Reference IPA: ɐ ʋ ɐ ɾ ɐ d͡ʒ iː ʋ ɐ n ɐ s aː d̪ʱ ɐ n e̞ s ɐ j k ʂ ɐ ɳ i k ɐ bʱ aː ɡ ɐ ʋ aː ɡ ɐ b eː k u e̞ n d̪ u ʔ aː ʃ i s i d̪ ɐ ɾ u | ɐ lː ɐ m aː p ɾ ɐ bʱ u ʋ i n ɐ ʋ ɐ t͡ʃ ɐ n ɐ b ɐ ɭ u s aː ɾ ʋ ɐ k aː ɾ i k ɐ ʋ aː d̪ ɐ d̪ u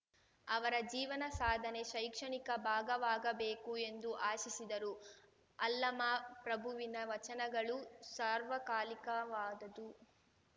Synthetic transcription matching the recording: ɐ ʋ ɐ ɾ ɐ d͡ʒ iː ʋ ɐ n ɐ s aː d̪ʱ ɐ n e̞ ʃ ɐ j k ʂ ɐ ɳ i k ɐ bʱ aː ɡ ɐ ʋ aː ɡ ɐ b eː k u e̞ n d̪ u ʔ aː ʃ i s i d̪ ɐ ɾ u | ɐ lː ɐ m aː p ɾ ɐ bʱ u ʋ i n ɐ ʋ ɐ t͡ʃ ɐ n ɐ ɡ ɐ ɭ u s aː ɾ ʋ ɐ k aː l i k ɐ ʋ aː d̪ ɐ d̪ u